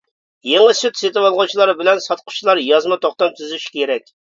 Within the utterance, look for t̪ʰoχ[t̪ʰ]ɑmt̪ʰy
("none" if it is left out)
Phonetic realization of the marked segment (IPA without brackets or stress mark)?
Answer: t̪